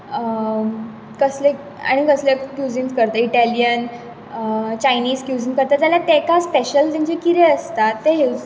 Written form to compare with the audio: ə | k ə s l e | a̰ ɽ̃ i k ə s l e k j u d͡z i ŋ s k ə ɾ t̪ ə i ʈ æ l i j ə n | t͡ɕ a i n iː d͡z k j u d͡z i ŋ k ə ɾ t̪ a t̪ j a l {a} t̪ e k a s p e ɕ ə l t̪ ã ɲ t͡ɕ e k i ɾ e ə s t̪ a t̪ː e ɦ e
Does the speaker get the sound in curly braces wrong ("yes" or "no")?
no